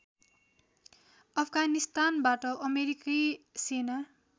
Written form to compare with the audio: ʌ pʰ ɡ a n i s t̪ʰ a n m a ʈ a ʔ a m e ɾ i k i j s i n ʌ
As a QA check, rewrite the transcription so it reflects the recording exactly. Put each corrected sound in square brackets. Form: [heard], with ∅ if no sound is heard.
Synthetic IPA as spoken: ʌ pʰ ɡ a n i s [t̪] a n [b] a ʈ [ʌ] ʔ [ʌ] m e ɾ i k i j s [e] n [a]